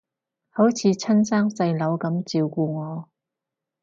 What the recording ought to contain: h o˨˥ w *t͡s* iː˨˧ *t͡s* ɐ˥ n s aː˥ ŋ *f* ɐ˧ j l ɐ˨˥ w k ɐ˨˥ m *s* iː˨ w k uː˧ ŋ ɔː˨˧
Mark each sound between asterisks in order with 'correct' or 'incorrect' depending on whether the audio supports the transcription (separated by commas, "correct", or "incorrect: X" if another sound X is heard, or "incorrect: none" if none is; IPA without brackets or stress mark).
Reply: incorrect: t͡sʰ, incorrect: t͡sʰ, incorrect: s, incorrect: t͡s